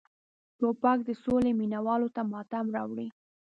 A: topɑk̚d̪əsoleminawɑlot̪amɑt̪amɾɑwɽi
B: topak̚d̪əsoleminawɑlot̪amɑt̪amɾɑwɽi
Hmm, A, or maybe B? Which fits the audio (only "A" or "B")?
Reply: A